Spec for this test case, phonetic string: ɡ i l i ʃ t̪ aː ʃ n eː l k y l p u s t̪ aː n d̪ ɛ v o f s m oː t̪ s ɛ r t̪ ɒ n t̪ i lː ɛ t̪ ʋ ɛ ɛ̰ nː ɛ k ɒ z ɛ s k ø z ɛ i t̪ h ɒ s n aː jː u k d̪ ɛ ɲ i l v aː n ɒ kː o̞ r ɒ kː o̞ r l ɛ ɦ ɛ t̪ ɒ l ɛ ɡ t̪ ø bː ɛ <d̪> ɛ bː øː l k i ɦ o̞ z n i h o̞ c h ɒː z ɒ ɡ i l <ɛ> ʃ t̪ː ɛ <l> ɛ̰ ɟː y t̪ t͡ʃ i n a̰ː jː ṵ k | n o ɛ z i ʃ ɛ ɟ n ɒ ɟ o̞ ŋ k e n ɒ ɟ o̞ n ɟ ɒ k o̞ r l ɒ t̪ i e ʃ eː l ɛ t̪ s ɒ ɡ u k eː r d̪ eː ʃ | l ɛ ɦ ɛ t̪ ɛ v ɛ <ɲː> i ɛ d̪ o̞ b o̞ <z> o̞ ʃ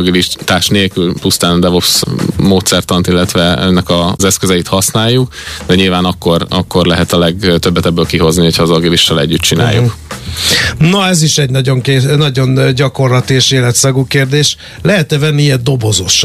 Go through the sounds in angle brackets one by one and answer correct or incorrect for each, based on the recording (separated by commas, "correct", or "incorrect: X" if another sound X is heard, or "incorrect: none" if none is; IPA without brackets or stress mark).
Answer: incorrect: t̪, incorrect: i, correct, incorrect: nː, correct